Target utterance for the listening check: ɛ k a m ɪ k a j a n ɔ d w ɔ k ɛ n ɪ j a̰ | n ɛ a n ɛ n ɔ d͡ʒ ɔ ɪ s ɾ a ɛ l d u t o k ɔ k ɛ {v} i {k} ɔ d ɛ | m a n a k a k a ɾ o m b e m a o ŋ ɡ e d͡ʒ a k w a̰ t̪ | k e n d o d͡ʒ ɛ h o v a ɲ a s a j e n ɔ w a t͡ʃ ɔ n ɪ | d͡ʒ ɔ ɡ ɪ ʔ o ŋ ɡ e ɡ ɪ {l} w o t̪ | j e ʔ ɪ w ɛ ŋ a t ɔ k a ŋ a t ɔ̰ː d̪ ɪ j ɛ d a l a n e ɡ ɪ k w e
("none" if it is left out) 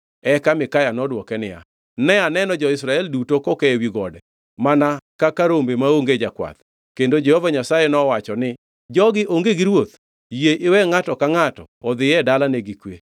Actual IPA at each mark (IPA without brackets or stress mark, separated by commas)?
w, ɡ, ɾ